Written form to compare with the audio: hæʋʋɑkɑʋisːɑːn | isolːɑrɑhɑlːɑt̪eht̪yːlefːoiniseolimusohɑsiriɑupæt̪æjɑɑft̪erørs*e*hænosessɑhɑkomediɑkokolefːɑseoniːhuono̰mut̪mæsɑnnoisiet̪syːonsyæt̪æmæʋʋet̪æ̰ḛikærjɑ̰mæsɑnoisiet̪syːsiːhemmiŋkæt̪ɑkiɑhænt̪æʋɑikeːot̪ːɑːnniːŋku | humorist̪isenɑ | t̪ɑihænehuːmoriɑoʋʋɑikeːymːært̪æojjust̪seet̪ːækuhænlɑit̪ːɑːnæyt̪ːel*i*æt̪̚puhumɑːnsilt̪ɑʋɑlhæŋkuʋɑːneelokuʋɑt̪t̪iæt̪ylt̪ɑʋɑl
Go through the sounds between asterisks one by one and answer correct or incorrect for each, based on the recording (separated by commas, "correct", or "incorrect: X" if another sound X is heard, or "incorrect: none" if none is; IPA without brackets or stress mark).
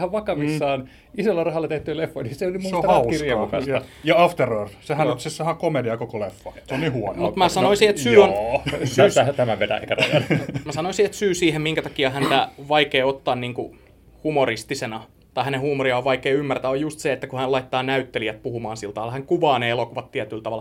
correct, correct